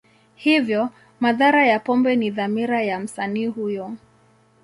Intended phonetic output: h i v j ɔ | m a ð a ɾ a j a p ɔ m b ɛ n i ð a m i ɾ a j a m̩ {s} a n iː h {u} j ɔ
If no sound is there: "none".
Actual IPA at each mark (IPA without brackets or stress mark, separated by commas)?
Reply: s, u